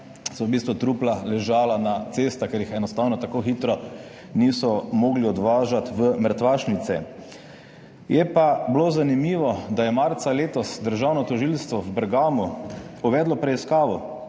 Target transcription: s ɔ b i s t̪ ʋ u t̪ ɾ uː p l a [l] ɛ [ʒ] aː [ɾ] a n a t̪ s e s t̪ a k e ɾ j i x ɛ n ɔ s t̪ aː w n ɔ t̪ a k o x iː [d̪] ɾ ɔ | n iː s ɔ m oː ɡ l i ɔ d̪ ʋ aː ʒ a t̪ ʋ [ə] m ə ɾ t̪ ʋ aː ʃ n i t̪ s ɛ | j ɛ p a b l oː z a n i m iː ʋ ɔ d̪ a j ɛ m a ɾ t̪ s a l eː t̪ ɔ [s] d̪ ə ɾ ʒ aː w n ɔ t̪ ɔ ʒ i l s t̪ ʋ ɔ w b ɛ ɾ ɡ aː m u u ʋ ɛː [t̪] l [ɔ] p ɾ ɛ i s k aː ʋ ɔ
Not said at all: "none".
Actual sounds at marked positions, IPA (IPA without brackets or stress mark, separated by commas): l, ʒ, l, t̪, ə, s, d̪, ɔ